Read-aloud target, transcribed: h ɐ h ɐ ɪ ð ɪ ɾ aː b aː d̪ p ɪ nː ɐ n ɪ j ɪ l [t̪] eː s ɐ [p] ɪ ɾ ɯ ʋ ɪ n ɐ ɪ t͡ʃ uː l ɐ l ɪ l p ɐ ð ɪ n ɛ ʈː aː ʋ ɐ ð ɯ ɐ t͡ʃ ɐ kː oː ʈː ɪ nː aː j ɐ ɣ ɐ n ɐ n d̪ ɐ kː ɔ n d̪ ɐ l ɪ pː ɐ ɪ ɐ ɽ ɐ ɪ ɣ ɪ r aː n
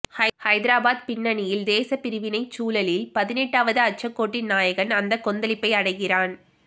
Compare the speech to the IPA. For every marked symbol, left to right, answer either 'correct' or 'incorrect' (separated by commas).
incorrect, correct